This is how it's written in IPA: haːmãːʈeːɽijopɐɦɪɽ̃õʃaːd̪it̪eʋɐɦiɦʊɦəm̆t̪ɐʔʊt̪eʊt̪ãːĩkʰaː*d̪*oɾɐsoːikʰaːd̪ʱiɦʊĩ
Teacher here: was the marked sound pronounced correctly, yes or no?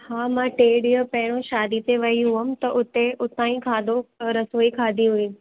yes